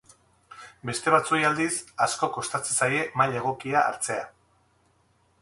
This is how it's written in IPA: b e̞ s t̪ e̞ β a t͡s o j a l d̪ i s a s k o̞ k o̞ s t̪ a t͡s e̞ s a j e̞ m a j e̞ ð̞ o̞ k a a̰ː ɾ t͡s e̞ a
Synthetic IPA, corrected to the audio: b e̞ s t̪ e̞ β a t͡s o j a l d̪ i s a s k o̞ k o̞ s t̪ a t͡s e̞ s a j e̞ m a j e̞ ɣ̞ o̞ k i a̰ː ɾ t͡s e̞ a